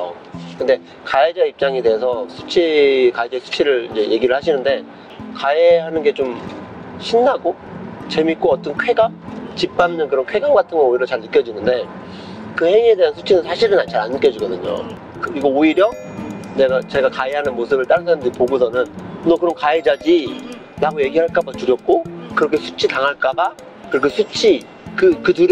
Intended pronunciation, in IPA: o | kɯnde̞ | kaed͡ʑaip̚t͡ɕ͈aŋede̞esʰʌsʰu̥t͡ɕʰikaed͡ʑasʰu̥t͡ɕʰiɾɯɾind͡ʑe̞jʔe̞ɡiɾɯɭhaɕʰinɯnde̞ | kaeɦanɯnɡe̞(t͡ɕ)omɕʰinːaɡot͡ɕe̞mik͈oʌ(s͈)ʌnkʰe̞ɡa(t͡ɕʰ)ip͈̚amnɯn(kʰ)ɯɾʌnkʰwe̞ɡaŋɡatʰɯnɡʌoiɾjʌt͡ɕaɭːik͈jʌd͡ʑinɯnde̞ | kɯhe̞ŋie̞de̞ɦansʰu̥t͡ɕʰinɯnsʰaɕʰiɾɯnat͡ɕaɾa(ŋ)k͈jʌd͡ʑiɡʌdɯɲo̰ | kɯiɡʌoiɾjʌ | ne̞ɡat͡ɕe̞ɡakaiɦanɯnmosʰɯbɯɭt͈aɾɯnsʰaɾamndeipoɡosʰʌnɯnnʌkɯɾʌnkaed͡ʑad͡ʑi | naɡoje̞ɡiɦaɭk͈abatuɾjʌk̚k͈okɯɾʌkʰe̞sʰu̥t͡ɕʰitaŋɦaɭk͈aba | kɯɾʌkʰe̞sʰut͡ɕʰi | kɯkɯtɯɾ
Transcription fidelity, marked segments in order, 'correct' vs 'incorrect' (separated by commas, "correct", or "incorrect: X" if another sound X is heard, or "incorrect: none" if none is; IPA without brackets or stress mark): correct, incorrect: t͈, incorrect: t͡ɕ, incorrect: k, incorrect: n